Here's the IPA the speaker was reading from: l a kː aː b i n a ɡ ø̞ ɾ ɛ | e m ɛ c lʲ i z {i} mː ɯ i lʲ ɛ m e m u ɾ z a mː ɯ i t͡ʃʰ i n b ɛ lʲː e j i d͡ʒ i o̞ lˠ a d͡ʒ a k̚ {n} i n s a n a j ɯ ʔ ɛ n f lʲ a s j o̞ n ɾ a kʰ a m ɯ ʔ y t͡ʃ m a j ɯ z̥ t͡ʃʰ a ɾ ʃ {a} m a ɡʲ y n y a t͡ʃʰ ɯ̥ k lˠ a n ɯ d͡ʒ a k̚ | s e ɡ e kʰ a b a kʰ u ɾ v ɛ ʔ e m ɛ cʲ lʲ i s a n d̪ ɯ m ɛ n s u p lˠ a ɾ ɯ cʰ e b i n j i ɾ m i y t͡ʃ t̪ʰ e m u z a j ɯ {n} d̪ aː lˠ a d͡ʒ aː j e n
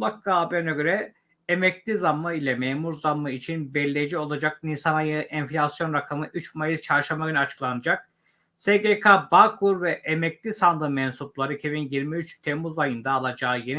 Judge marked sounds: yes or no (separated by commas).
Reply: no, yes, yes, yes